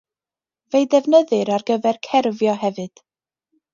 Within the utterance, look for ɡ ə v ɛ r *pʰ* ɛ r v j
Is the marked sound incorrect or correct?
incorrect